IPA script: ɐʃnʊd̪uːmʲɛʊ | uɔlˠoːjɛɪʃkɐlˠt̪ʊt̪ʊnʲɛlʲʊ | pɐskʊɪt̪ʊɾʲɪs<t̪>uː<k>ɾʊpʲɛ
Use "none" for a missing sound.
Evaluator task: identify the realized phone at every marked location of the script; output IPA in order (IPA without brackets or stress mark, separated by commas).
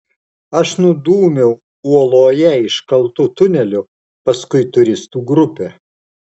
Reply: t̪, ɡ